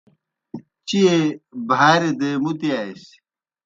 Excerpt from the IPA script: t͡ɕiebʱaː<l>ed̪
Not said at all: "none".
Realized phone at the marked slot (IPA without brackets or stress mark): ɾ